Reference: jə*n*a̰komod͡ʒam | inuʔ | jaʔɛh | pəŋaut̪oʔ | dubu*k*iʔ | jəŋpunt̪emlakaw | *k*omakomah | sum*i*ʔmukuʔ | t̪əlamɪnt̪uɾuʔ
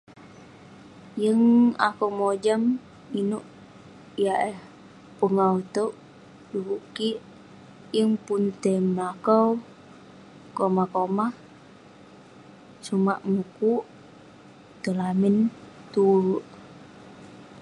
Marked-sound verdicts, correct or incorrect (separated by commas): incorrect, correct, correct, incorrect